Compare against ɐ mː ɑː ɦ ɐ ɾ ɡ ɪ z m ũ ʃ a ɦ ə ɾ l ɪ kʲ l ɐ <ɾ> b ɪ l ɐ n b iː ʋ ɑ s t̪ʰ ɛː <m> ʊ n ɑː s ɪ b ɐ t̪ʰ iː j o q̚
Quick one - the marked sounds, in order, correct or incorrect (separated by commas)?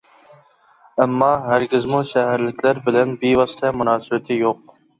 correct, correct